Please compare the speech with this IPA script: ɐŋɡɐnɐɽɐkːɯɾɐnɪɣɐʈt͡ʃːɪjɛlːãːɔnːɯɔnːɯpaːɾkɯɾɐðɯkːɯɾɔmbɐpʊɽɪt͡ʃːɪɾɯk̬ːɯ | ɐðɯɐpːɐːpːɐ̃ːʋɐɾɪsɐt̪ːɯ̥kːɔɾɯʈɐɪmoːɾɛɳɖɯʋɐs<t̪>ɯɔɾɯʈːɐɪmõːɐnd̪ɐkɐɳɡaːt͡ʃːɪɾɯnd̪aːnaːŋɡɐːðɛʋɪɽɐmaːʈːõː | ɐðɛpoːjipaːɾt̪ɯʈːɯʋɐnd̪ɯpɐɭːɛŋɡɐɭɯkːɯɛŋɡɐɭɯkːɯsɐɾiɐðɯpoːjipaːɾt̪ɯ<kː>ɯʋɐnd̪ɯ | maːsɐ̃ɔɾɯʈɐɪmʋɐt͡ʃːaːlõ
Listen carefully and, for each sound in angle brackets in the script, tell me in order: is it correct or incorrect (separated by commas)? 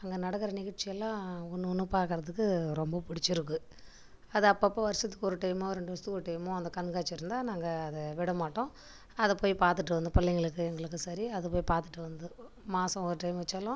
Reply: correct, incorrect